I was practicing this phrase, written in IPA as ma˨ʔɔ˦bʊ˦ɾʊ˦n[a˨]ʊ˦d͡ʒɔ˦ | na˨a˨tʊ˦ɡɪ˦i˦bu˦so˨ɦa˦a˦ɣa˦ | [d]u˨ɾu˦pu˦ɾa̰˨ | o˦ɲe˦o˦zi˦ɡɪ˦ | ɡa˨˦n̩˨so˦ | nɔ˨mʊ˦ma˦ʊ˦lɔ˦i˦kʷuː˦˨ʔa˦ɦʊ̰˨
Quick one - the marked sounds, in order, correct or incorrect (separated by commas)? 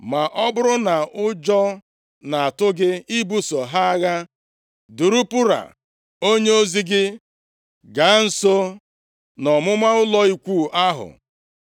correct, correct